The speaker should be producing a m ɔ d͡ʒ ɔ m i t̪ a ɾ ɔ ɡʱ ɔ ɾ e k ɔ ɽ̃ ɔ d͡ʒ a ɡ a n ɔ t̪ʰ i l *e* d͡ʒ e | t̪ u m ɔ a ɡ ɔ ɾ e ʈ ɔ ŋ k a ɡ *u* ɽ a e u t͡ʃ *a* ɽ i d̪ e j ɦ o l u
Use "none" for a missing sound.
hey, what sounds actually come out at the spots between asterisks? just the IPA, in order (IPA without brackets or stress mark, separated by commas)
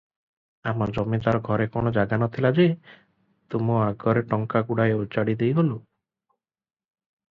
a, u, a